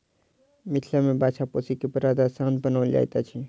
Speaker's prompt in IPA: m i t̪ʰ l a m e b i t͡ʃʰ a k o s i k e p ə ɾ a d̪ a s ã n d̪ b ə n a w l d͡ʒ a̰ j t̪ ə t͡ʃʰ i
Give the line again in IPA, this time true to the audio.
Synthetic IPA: m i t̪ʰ l a m e b a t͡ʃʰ a p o s i k e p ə ɾ a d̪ a s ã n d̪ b ə n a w l d͡ʒ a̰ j t̪ a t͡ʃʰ i